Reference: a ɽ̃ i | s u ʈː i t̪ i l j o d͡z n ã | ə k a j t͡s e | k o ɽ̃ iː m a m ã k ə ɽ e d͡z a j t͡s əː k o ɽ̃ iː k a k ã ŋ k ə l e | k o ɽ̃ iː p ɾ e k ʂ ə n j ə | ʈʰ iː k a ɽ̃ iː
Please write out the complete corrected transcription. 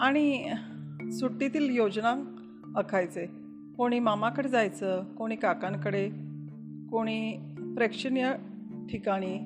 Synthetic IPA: a ɽ̃ i | s u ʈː i t̪ iː l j o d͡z n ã | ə kʰ a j t͡s e | k o ɽ̃ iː m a m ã k ə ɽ e d͡z a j t͡s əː k o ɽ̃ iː k a k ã ŋ k ə ɽ e | k o ɽ̃ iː p ɾ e k ʂ ə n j ə | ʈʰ i k a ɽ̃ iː